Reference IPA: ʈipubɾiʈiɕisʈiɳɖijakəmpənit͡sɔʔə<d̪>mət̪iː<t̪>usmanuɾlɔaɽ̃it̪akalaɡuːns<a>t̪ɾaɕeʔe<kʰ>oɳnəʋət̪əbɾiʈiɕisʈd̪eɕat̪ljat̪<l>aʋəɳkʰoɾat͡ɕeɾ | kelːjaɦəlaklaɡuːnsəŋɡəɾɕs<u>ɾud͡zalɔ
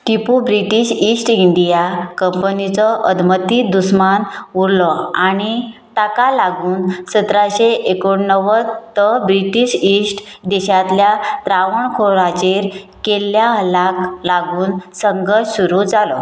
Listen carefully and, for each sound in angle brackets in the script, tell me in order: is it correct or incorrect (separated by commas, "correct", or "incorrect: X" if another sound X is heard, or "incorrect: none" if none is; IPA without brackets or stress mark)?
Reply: correct, incorrect: d̪, incorrect: ə, incorrect: k, incorrect: ɾ, correct